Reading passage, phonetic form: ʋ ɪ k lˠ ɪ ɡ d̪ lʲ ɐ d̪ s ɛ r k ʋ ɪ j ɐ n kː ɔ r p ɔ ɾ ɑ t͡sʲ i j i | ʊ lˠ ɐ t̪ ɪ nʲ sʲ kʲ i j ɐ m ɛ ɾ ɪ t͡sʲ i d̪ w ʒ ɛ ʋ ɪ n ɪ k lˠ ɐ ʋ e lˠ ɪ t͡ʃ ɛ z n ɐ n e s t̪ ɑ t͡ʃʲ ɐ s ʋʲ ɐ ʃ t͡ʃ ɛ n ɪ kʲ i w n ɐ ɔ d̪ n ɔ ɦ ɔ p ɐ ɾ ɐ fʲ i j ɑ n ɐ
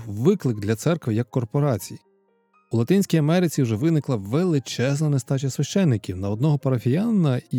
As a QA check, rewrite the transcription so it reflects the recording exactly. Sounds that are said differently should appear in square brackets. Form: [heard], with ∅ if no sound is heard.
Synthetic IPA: ʋ ɪ k lˠ ɪ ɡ d̪ lʲ ɐ [t̪] s ɛ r k ʋ ɪ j ɐ [∅] kː ɔ r p ɔ ɾ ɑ t͡sʲ i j i | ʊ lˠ ɐ t̪ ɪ nʲ sʲ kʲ i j ɐ m ɛ ɾ ɪ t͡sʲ i [∅] w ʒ ɛ ʋ ɪ n ɪ k lˠ ɐ ʋ e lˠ ɪ t͡ʃ ɛ z n ɐ n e s t̪ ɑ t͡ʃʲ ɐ s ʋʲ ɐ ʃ t͡ʃ ɛ [nː] ɪ kʲ i w n ɐ ɔ d̪ n ɔ ɦ ɔ p ɐ ɾ ɐ fʲ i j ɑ n ɐ